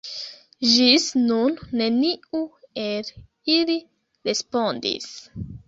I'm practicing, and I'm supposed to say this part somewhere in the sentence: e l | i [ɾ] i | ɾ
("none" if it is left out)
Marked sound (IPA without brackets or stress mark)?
l